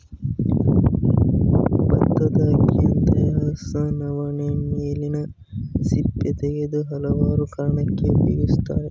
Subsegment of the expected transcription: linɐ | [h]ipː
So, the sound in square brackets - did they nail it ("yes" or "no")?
no